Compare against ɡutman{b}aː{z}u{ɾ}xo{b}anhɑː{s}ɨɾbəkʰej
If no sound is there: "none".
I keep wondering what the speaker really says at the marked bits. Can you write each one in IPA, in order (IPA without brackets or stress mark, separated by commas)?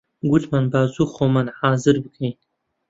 b, z, none, m, z